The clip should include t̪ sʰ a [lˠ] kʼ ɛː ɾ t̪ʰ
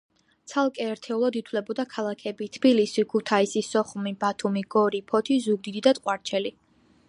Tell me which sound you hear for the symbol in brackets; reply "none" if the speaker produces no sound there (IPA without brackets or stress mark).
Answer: lˠ